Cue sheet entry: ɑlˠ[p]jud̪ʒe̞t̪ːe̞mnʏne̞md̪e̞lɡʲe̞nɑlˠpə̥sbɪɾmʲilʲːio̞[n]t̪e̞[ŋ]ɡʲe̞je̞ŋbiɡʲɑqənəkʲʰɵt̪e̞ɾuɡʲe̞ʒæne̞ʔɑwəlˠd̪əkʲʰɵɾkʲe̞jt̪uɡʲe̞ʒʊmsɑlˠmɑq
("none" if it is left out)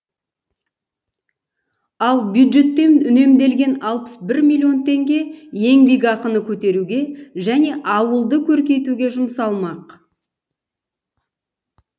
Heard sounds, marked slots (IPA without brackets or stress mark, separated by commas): b, n, ŋ